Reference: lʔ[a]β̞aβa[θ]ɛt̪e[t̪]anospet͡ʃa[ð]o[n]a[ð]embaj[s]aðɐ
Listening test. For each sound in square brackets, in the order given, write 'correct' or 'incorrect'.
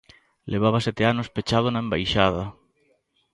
incorrect, incorrect, incorrect, correct, correct, incorrect, incorrect

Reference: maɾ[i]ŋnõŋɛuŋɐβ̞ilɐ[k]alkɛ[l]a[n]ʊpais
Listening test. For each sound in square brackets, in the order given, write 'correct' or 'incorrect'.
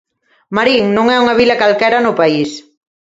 correct, correct, incorrect, correct

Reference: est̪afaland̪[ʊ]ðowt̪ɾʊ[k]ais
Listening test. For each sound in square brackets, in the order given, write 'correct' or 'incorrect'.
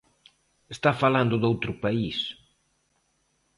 correct, incorrect

